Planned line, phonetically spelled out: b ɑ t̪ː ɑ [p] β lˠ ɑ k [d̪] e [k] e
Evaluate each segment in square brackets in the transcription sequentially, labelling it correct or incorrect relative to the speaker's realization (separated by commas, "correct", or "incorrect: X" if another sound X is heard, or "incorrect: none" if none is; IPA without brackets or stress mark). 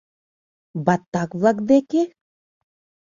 incorrect: k, correct, correct